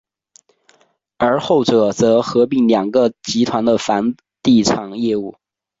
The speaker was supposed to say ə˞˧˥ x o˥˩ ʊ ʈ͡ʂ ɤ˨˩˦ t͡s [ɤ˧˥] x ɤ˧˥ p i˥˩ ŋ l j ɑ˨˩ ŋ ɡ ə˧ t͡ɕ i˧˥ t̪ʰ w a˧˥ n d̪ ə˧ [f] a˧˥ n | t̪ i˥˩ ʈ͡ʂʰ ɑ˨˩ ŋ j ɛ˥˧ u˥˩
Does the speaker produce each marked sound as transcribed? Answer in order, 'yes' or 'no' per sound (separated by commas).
yes, yes